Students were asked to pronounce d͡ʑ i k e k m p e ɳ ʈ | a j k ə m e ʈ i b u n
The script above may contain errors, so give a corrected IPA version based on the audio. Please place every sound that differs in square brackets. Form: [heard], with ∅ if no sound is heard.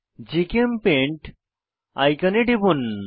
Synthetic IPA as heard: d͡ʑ i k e [∅] m p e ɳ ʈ | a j k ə [n] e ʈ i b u n

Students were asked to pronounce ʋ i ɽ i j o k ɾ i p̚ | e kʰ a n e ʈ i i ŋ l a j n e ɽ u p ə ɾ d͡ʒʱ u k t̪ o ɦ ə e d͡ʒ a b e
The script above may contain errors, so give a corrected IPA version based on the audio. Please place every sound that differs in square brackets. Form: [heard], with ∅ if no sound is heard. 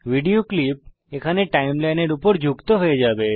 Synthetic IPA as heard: ʋ i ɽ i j o k [l] i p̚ | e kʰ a n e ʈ [a] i [m] l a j n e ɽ u p ə ɾ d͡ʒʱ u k t̪ o ɦ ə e d͡ʒ a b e

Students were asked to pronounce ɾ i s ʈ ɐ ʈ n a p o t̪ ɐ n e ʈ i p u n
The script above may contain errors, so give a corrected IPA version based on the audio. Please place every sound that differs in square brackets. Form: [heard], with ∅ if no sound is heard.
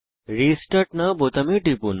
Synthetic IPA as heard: ɾ i s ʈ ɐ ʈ n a [b] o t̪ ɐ [m] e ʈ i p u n

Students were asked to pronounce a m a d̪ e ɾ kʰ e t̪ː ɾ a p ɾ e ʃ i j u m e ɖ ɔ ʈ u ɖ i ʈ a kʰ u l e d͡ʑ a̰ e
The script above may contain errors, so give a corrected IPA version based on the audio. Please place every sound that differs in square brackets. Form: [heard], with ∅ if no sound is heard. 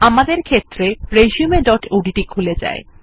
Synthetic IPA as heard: a m a d̪ e ɾ kʰ e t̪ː ɾ [e] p ɾ e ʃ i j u m e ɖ ɔ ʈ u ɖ i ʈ [i] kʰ u l e d͡ʑ a̰ e

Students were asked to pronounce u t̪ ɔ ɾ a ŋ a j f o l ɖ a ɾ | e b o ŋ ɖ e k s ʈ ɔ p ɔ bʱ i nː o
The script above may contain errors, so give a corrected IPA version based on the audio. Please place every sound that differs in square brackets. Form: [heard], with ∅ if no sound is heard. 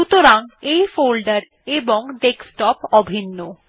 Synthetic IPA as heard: u t̪ [o] ɾ a ŋ [e] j f o l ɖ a ɾ | e b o ŋ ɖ e k s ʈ ɔ p ɔ bʱ i nː o

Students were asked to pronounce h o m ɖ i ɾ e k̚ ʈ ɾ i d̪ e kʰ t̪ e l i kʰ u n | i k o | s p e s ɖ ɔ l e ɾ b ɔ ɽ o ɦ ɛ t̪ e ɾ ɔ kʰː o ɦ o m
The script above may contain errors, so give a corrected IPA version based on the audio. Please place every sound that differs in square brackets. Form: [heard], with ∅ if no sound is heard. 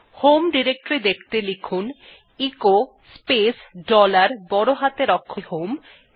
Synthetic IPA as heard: h o m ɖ i ɾ e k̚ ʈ ɾ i d̪ e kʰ t̪ e l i kʰ u n | i k o | s p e s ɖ ɔ l [a] ɾ b ɔ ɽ o ɦ [a] t̪ e ɾ ɔ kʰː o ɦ o m

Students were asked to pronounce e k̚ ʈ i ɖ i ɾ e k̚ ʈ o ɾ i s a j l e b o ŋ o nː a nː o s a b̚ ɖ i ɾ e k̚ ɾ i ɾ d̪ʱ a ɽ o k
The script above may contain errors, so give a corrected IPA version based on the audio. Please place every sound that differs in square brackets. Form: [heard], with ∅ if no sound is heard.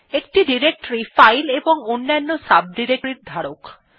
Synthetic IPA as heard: e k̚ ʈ i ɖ i ɾ e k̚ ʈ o ɾ i [f] a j l e b o ŋ o nː a nː o s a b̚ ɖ i ɾ e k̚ ɾ i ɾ d̪ʱ a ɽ o k

